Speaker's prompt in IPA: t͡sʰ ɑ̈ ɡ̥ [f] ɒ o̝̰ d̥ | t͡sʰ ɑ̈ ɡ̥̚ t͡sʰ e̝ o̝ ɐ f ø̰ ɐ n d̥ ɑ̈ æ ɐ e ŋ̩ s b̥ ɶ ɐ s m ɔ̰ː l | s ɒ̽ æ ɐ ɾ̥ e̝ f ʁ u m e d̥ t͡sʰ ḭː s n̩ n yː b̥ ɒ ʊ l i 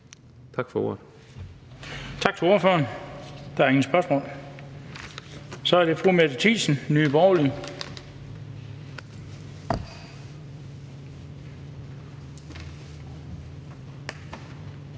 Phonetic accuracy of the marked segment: correct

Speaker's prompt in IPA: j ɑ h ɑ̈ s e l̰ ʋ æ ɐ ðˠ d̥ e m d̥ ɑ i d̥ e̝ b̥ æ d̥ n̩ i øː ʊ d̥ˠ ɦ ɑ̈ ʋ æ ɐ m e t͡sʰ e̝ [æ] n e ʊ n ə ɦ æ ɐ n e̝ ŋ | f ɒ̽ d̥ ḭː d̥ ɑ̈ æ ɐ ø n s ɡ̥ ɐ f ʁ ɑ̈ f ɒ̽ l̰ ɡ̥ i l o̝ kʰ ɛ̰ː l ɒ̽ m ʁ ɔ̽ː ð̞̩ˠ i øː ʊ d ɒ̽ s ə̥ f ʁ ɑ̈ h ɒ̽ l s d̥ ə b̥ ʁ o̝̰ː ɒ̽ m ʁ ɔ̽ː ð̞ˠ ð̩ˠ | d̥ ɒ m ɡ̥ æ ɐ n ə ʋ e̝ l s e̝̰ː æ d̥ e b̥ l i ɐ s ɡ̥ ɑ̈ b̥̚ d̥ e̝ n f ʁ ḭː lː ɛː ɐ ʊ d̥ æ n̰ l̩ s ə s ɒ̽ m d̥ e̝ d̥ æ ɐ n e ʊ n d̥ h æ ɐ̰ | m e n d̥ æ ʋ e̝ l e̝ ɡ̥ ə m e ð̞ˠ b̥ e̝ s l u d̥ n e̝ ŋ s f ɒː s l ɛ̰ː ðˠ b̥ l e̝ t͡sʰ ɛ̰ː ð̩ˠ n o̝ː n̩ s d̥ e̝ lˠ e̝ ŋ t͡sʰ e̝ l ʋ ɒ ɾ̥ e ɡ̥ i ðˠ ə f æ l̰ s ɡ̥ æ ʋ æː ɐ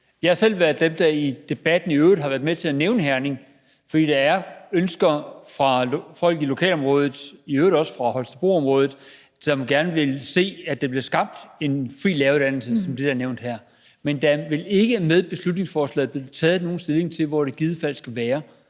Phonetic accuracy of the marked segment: correct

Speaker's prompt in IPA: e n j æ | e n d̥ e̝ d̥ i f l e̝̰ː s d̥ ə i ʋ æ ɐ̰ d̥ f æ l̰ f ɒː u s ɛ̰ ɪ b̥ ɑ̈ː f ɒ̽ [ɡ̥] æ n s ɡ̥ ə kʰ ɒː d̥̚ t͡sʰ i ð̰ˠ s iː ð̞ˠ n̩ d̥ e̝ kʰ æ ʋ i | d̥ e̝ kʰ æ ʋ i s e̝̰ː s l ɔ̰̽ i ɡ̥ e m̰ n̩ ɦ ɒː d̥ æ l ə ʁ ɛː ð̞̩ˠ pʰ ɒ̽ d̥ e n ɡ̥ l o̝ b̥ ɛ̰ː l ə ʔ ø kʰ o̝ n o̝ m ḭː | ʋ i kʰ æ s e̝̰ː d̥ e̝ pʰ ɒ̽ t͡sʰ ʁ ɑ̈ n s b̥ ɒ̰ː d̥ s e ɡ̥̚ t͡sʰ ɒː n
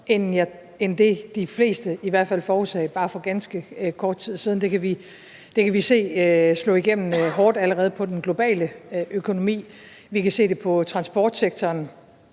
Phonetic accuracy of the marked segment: correct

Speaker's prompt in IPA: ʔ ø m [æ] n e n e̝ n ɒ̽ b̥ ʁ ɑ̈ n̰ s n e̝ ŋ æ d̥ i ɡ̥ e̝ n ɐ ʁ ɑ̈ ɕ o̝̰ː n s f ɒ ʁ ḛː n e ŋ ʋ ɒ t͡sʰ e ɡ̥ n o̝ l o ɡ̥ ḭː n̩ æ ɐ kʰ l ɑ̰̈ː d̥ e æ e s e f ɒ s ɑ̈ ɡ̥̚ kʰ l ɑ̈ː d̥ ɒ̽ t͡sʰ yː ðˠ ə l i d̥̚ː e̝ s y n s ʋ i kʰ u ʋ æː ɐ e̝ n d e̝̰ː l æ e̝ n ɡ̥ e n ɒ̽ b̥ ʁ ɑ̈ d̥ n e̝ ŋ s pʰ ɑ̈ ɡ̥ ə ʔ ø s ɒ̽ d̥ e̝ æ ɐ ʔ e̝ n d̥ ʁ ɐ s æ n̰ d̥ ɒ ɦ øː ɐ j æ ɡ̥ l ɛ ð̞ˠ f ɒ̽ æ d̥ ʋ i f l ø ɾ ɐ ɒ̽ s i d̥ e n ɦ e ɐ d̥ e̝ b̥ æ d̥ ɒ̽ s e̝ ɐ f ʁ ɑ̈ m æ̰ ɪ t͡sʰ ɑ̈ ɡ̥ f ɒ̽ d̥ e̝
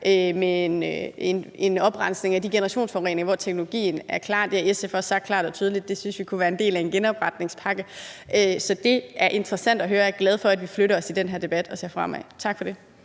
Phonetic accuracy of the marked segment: incorrect: e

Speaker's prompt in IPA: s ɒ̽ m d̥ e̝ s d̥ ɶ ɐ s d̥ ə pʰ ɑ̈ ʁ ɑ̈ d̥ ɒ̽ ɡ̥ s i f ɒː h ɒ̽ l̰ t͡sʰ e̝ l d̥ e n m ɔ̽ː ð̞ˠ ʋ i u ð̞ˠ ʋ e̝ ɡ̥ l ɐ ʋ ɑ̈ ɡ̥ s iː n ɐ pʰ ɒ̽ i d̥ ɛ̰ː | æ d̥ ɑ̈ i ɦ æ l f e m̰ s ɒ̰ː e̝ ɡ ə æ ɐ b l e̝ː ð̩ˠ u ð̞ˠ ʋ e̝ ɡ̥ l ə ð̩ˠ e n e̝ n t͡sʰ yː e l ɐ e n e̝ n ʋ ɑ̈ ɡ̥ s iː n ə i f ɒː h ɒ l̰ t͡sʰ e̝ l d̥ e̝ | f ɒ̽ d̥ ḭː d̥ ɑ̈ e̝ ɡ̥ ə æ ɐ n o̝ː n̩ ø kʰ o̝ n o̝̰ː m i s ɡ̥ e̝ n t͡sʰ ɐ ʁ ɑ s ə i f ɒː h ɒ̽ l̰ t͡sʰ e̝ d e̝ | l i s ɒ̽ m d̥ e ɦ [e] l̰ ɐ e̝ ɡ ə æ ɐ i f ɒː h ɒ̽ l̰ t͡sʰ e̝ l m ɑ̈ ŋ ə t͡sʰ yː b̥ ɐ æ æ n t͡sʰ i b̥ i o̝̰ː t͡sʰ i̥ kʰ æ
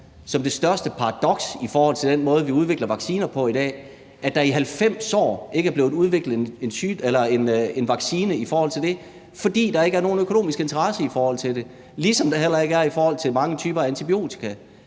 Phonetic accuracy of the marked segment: correct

